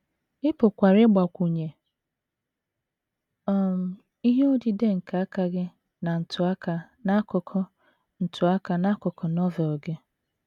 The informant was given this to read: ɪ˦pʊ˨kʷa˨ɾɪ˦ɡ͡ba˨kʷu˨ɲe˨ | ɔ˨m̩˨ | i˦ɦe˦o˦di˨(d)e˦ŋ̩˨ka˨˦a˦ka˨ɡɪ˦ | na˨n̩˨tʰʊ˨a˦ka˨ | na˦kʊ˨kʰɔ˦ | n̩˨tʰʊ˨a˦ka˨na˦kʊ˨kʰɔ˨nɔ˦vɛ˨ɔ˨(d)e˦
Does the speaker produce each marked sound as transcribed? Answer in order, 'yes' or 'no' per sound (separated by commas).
yes, no